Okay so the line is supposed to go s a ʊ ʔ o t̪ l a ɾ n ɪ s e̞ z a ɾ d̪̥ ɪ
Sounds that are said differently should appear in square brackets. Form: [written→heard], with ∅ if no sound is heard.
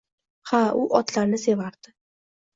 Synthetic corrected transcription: [s→h] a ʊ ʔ [o→ɒ] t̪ l a ɾ n ɪ s e̞ [z→v] a ɾ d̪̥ ɪ